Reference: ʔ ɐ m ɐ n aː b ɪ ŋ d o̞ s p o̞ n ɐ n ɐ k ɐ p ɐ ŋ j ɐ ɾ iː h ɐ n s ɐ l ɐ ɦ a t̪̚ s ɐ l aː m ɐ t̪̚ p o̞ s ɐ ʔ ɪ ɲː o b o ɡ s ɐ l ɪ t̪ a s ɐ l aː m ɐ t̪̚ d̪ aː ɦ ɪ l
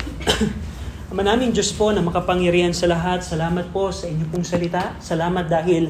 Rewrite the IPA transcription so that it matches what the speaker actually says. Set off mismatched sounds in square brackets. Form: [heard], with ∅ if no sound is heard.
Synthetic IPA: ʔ ɐ m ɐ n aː [m] ɪ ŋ [d͡ʒ] o̞ s p o̞ n ɐ [m] ɐ k ɐ p ɐ ŋ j ɐ ɾ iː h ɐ n s ɐ l ɐ ɦ a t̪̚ s ɐ l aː m ɐ t̪̚ p o̞ s ɐ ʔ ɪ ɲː o [p] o [ŋ] s ɐ l ɪ t̪ a s ɐ l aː m ɐ t̪̚ d̪ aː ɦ ɪ l